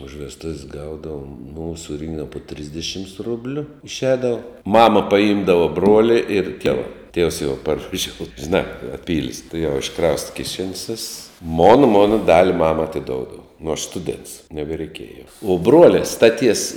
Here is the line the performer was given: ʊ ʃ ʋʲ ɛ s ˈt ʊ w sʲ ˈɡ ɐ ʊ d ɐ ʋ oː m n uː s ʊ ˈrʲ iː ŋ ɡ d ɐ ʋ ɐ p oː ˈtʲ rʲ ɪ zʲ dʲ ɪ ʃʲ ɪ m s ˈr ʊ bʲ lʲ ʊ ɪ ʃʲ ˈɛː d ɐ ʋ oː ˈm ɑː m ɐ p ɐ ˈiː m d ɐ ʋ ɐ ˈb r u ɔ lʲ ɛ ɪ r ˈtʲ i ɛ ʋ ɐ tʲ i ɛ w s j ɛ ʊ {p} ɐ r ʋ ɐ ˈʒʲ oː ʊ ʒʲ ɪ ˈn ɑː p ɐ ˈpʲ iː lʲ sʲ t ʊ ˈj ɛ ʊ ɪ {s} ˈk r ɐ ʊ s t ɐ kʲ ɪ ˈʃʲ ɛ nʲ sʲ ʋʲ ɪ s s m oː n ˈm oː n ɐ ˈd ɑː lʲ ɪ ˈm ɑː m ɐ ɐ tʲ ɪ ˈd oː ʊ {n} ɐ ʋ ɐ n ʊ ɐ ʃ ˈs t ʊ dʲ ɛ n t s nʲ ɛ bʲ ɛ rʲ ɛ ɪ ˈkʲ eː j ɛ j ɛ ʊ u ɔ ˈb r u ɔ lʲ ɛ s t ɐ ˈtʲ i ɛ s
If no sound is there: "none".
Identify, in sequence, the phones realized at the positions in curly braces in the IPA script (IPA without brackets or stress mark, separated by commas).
p, ʃ, d